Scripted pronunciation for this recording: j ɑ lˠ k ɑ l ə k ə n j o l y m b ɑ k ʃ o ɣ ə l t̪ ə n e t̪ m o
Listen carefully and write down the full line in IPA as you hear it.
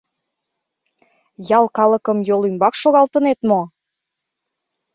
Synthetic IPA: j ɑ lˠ k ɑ l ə k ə m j o l y m b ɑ k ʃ o ɣ ɑ l t̪ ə n e t̪ m o